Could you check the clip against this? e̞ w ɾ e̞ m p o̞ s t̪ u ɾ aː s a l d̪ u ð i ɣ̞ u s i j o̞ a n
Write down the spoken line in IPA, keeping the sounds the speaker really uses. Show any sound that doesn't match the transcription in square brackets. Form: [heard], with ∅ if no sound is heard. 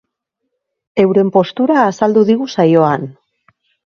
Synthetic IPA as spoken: e̞ w ɾ e̞ m p o̞ s t̪ u ɾ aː s a l d̪ u ð i ɣ̞ u s [a] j o̞ a n

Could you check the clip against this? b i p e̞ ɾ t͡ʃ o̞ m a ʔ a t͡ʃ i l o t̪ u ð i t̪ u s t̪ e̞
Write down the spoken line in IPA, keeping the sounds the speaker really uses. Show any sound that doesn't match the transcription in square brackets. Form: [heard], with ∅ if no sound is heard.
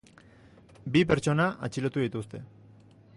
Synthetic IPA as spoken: b i p e̞ ɾ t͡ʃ o̞ [n] a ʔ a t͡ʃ i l o t̪ u ð i t̪ u s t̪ e̞

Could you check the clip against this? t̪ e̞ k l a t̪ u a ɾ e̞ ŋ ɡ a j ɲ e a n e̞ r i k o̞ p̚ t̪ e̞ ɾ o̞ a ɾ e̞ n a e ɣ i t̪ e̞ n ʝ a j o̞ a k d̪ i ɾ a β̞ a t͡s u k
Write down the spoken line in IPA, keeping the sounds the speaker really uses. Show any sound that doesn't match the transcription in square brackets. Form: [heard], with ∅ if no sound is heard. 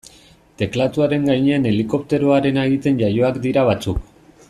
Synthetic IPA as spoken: t̪ e̞ k l a t̪ u a ɾ e̞ ŋ ɡ a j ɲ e a n e̞ [l] i k o̞ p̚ t̪ e̞ ɾ o̞ a ɾ e̞ n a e ɣ i t̪ e̞ n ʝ a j o̞ a k d̪ i ɾ a β̞ a t͡s u k

